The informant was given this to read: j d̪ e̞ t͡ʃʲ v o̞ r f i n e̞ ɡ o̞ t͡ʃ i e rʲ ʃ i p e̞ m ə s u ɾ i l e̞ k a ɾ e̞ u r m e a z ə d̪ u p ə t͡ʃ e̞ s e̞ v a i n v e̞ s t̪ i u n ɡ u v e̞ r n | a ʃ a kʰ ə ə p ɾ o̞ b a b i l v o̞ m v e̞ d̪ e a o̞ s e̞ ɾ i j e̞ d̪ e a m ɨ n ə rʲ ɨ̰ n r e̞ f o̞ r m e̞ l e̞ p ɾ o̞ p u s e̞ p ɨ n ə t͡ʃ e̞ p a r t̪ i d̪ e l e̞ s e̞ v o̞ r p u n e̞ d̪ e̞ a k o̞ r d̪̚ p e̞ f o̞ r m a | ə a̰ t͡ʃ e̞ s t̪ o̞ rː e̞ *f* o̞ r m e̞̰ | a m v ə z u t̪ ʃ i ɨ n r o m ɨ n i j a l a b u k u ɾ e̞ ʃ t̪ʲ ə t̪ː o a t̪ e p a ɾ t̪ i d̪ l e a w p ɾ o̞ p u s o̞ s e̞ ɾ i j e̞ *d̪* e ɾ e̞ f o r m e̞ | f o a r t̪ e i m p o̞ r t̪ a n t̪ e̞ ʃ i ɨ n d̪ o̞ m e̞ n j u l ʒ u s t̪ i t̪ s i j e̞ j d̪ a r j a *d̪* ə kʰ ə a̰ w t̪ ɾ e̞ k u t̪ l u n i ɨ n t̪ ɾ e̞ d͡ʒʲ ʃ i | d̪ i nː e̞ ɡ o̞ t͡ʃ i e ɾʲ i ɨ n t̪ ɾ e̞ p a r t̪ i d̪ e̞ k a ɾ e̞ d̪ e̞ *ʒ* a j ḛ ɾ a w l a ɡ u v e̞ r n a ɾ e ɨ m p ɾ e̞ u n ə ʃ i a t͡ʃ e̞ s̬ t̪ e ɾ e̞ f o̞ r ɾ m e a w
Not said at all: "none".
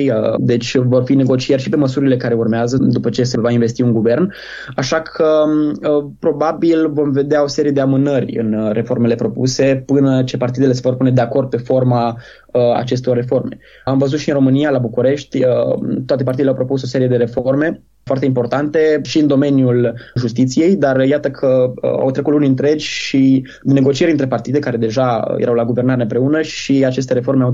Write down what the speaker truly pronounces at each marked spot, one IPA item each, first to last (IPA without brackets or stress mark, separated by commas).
f, d̪, t̪, ʒ